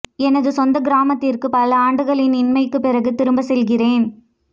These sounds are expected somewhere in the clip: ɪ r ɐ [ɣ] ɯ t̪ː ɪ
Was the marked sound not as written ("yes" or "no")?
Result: no